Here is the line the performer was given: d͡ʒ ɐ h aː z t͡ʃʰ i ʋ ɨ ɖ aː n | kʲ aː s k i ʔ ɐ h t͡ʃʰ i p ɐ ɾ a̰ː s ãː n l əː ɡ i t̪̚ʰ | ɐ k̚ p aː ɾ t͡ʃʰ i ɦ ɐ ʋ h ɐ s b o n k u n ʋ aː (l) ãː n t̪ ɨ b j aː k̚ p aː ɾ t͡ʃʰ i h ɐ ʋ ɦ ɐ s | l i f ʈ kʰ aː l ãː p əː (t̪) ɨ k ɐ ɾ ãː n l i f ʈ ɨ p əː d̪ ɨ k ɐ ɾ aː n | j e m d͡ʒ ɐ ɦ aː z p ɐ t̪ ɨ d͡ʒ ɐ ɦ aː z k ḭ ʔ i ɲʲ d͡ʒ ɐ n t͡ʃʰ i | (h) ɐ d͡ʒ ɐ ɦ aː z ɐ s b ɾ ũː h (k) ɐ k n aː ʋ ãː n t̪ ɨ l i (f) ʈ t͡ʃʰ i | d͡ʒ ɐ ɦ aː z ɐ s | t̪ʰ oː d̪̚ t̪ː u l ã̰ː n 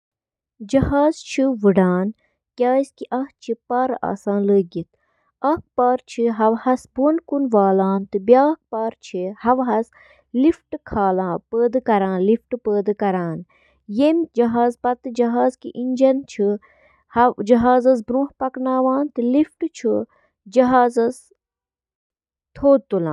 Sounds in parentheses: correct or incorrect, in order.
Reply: correct, incorrect, correct, incorrect, correct

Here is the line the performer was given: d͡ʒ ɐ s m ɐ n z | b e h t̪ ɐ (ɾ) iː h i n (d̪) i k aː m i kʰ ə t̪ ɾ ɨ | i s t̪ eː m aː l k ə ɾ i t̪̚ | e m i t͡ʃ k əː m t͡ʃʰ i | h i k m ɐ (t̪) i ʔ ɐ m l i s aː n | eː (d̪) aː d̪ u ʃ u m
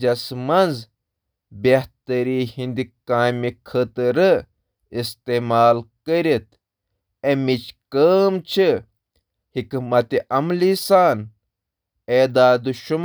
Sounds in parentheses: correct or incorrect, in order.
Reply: correct, correct, correct, correct

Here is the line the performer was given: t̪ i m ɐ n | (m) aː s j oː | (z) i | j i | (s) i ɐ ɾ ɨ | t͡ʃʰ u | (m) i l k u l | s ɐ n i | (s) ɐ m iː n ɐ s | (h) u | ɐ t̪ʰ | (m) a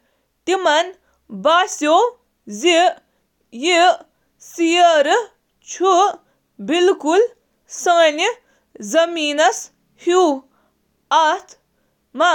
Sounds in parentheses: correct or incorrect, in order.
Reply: incorrect, correct, correct, incorrect, incorrect, correct, correct

